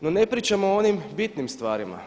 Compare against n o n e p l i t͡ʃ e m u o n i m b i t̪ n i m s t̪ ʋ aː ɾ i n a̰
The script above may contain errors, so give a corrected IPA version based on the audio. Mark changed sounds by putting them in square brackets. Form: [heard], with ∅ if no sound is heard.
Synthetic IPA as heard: n o n e p [ɾ] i t͡ʃ [a] m [o] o n i m b i t̪ n i m s t̪ ʋ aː ɾ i [m] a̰